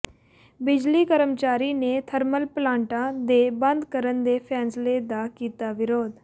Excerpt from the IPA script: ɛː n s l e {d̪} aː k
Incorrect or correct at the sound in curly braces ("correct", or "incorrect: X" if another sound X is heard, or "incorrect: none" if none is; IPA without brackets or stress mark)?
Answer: correct